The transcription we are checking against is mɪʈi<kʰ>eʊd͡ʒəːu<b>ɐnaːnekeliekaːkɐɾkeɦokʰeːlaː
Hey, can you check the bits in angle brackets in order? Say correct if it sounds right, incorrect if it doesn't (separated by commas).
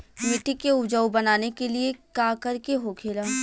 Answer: incorrect, correct